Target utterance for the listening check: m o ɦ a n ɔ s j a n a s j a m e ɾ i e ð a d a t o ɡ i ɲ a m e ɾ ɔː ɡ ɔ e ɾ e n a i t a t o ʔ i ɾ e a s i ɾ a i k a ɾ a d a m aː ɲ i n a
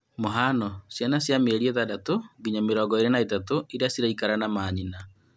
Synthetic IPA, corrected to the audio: m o ɦ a n ɔ s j a n a s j a m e ɾ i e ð a d a t o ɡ i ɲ a m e ɾ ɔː ɡ ɔ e ɾ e n a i t a t o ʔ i ɾ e a s i ɾ a i k a ɾ a n a m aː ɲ i n a